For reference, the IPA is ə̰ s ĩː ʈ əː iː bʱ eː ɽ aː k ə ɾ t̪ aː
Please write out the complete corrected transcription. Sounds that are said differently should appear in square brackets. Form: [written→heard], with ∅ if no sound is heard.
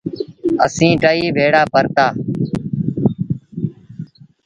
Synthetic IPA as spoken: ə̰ s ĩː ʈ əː iː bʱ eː ɽ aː [k→p] ə ɾ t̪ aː